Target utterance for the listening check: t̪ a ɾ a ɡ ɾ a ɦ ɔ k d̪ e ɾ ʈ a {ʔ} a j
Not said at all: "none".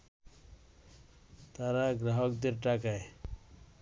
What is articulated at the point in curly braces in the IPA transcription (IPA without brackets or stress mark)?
k